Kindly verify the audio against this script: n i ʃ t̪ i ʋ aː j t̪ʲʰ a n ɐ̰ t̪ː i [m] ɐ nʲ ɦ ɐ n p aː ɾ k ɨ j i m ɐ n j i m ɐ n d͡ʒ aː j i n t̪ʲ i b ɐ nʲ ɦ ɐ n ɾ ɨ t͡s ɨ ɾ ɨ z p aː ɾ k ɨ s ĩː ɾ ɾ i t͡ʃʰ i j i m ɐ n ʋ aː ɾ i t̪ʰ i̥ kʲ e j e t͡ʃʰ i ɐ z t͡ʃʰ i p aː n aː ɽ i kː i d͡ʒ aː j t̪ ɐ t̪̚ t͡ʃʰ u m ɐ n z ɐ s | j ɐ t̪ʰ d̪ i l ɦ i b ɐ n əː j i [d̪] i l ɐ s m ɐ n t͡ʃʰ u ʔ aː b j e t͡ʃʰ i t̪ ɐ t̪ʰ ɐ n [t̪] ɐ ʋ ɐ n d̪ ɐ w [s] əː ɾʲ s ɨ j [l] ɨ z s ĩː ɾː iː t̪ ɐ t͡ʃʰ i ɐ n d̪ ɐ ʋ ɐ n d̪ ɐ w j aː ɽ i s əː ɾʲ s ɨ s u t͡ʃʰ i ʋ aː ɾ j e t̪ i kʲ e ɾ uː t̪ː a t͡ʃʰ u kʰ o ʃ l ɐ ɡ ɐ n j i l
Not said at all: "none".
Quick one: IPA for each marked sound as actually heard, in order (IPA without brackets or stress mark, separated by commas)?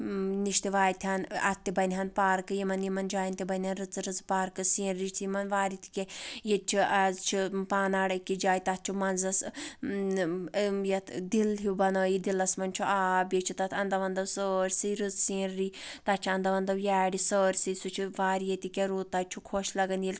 b, d̪, d̪, s, ɾ